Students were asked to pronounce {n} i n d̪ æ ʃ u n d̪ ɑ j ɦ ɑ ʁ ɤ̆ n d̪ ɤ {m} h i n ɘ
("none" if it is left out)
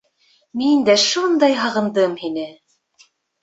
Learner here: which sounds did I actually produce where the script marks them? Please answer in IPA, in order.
m, m

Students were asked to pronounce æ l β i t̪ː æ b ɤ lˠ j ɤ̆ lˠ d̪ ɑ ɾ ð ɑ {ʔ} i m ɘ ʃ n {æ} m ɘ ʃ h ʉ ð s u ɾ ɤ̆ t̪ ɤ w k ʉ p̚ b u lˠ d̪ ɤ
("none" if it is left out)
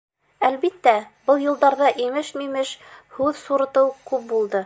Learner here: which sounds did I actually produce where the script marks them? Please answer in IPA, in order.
ʔ, i

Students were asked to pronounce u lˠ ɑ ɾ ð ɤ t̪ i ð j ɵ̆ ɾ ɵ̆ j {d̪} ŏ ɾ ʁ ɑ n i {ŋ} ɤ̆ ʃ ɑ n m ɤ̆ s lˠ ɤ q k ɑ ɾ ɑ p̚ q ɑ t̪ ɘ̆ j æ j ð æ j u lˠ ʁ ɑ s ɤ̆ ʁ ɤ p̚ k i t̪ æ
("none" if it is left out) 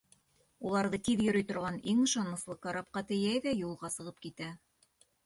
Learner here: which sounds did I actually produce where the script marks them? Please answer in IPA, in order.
t̪, ŋ

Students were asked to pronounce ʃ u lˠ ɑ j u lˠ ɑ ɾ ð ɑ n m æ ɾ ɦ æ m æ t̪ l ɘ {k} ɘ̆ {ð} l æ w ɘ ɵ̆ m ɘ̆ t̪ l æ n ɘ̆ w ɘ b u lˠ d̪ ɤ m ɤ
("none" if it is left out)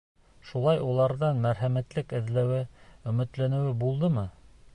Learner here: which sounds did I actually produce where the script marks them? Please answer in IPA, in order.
k, ð

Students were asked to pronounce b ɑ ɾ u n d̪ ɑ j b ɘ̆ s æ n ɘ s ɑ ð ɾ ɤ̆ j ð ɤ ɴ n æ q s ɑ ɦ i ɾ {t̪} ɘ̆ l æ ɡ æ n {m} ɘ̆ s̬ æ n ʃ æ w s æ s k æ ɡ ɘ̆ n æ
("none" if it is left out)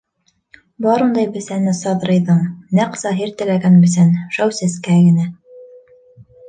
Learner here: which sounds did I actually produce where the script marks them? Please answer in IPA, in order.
t̪, b

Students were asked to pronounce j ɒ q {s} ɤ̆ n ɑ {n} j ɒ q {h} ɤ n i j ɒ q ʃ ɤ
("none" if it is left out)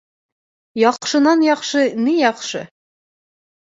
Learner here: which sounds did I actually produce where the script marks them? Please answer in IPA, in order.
ʃ, n, ʃ

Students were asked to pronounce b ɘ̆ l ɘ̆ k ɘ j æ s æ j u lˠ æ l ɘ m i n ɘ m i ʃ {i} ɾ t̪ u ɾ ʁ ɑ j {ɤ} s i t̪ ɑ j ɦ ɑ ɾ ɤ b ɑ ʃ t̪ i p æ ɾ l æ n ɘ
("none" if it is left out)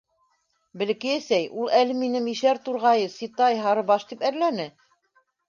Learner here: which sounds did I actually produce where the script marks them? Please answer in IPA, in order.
æ, ɤ

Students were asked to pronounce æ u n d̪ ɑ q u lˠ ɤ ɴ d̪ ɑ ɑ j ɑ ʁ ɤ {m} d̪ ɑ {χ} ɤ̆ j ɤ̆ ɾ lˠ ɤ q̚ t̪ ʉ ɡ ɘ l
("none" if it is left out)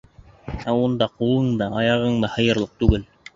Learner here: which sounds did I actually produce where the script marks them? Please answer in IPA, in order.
ɴ, h

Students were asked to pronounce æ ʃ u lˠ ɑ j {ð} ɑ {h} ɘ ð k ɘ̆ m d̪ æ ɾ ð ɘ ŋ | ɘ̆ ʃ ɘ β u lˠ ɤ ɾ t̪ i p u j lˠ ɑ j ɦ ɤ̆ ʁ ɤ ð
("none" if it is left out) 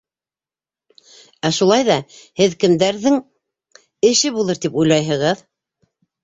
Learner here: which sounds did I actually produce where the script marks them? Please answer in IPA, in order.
ð, h

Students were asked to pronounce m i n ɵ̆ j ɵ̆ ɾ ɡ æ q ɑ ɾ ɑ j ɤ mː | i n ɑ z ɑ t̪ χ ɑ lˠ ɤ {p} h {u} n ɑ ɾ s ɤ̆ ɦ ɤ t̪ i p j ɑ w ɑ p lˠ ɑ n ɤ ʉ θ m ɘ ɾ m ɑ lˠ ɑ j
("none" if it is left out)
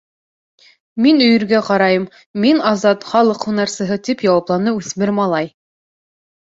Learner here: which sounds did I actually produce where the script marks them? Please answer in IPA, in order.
q, u

